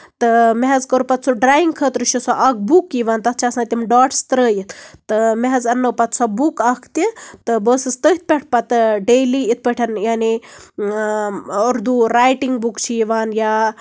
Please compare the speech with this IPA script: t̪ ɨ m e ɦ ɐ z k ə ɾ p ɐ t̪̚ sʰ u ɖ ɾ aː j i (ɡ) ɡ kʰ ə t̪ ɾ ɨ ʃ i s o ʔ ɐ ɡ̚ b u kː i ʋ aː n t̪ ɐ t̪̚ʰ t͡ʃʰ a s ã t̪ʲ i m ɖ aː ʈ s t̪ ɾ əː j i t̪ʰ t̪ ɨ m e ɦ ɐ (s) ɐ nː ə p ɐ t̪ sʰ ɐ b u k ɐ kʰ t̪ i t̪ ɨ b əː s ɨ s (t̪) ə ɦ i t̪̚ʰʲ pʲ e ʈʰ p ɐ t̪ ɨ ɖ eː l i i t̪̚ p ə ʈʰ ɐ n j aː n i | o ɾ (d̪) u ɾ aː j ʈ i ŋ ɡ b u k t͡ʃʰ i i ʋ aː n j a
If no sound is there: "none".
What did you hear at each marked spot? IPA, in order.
ŋ, z, t̪, d̪

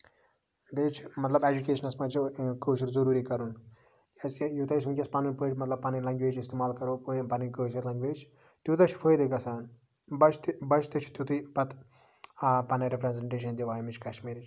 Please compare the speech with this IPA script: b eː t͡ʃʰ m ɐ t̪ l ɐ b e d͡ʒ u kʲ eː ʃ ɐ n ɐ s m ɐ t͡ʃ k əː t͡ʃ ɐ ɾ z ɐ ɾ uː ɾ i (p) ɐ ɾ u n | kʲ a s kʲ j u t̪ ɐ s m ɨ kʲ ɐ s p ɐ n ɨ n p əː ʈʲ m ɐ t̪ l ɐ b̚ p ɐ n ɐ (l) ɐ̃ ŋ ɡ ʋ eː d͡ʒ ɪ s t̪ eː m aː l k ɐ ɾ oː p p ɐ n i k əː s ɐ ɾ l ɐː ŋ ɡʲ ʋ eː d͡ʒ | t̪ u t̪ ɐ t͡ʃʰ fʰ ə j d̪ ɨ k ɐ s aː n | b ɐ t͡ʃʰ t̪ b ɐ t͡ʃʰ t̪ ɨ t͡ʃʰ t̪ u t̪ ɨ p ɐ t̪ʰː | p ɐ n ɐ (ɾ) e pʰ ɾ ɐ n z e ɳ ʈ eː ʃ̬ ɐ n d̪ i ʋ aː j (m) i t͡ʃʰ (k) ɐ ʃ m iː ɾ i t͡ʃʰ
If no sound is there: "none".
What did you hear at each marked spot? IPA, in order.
k, l, ɾ, m, k

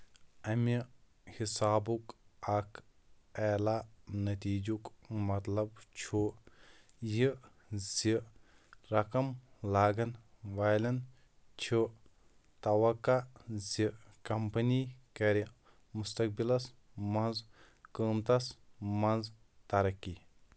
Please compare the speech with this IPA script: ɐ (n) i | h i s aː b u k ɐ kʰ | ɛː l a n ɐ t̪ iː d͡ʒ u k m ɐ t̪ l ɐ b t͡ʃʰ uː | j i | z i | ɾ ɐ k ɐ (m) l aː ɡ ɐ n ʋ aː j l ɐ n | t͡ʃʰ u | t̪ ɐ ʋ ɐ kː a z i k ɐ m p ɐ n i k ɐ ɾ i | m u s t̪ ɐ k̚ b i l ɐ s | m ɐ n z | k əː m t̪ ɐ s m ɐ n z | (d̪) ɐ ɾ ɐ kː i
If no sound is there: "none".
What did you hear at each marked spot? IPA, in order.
m, m, t̪

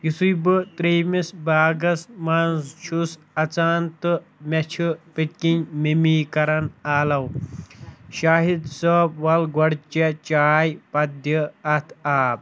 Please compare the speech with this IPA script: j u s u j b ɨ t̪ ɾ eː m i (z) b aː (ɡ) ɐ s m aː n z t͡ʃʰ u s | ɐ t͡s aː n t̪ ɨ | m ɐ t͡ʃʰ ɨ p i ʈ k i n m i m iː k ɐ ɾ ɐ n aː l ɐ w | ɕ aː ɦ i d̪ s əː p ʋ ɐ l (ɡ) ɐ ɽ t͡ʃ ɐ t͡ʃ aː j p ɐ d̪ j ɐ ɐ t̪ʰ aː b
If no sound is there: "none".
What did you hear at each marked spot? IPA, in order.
s, ɡ, ɡ

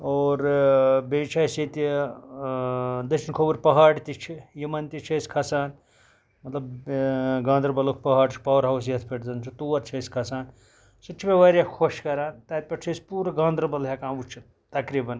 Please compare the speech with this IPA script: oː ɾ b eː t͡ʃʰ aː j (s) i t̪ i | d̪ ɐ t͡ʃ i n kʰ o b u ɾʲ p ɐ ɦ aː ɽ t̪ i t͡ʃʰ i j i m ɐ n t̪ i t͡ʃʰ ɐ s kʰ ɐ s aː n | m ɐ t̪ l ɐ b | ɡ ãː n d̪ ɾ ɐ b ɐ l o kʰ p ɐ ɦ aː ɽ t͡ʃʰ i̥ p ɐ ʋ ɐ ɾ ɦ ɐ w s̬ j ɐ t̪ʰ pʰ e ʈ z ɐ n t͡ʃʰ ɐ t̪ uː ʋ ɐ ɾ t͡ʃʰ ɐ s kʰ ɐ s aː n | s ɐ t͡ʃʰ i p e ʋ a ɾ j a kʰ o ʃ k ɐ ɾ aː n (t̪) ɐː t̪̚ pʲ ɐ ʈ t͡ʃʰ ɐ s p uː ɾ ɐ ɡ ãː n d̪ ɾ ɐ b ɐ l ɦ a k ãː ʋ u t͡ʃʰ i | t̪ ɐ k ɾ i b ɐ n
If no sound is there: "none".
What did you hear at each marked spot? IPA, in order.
s, t̪

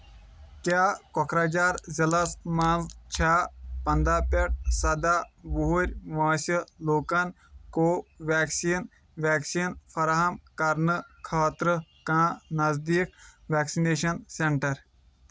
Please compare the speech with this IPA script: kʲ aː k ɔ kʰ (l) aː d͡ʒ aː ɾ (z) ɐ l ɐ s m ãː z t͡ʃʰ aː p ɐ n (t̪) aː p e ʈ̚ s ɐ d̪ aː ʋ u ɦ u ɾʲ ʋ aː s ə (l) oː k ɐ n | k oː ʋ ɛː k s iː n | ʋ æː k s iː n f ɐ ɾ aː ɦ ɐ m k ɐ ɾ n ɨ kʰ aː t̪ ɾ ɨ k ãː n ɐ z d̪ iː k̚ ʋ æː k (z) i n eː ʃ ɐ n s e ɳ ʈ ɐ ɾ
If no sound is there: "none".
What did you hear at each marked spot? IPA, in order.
ɾ, z, d̪, l, s

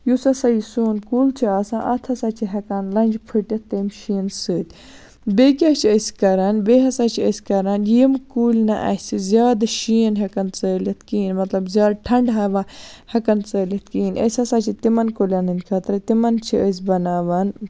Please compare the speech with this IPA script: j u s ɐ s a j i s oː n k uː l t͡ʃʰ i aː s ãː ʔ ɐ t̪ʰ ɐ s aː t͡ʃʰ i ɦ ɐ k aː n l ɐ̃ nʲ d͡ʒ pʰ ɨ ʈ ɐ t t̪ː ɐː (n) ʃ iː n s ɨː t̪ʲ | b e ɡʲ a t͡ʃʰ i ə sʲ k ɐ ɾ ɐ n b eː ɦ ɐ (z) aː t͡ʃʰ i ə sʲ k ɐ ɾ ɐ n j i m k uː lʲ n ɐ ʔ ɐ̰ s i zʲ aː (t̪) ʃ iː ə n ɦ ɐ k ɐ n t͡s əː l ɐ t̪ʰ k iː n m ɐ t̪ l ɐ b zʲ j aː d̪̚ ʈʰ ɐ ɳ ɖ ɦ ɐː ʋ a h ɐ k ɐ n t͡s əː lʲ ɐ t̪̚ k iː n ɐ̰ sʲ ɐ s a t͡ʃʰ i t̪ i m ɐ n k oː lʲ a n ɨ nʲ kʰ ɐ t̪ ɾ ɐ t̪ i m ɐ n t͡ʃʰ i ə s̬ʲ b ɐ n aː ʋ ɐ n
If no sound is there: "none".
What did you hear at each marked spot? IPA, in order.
m, s, d̪

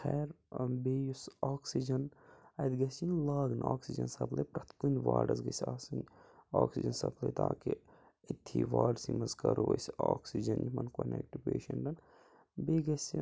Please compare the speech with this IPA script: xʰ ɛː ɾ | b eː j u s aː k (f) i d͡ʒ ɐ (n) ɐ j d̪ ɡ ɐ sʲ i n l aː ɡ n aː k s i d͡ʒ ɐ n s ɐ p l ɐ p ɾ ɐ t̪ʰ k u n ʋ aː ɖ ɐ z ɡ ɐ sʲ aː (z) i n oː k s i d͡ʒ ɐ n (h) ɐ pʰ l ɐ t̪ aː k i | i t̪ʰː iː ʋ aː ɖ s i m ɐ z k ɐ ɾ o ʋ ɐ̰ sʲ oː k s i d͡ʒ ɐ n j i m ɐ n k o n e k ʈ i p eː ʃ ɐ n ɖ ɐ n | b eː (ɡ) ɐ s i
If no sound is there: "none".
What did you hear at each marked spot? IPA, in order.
s, n, s, s, ɡ

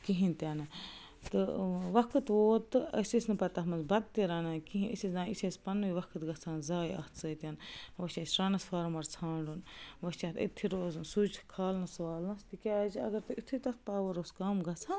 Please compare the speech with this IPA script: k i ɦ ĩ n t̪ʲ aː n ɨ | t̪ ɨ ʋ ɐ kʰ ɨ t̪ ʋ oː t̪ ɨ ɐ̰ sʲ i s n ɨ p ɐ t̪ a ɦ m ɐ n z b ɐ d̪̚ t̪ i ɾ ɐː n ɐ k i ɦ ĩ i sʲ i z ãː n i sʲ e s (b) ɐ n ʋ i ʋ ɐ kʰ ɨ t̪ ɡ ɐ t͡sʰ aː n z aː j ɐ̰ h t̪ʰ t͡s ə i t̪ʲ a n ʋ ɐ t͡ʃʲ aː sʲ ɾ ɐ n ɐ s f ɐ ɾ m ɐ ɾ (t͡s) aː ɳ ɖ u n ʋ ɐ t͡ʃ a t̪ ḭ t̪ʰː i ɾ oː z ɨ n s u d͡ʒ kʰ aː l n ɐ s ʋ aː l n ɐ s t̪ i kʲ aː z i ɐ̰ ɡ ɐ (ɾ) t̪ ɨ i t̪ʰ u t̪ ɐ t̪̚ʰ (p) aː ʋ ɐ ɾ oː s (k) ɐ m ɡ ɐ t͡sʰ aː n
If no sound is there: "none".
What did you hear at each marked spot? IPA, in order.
p, t͡sʰ, ɾ, p, k

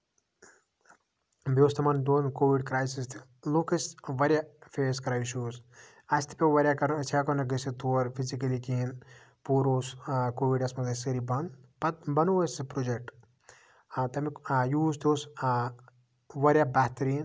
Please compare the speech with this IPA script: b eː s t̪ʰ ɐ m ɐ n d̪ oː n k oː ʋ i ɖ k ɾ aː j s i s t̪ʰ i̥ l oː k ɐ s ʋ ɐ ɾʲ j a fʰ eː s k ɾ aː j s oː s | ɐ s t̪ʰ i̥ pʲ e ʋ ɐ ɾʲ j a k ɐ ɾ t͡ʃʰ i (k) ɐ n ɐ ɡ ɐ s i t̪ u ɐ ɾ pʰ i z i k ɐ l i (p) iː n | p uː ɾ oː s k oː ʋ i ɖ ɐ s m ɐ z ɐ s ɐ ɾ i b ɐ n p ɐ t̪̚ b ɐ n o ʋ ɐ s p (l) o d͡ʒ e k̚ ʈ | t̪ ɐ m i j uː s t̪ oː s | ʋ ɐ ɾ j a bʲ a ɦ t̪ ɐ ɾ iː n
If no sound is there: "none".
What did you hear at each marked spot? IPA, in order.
k, k, ɾ

